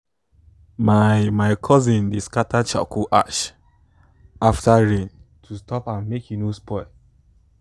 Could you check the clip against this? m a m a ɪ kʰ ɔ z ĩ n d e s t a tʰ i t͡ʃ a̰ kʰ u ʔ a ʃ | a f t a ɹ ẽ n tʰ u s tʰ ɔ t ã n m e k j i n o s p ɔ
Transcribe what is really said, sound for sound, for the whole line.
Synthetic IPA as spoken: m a m a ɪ kʰ ɔ z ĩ n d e s k a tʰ a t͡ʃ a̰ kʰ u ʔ a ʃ | a f t a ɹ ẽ n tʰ u s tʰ ɔ p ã n m e k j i n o s p ɔ